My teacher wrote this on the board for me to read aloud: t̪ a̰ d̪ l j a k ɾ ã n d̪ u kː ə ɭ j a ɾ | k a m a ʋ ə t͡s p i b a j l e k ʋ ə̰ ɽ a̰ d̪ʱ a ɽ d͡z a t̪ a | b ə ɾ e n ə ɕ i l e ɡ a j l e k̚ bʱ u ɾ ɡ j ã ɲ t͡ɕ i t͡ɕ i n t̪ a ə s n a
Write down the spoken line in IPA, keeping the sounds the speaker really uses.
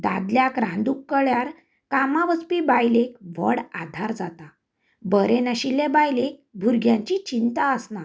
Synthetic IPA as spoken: d̪ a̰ d̪ l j a k ɾ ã n d̪ u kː ə ɭ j a ɾ | k a m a ʋ ə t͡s p i b a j l e k ʋ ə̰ ɽ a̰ d̪ʱ a ɾ d͡z a t̪ a | b ə ɾ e n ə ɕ i l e b a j l e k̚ bʱ u ɾ ɡ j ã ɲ t͡ɕ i t͡ɕ i n t̪ a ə s n a